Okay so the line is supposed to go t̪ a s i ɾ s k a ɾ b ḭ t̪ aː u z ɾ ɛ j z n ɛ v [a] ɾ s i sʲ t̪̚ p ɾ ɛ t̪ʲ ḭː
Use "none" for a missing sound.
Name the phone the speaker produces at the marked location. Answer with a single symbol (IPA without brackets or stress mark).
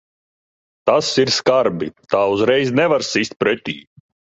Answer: a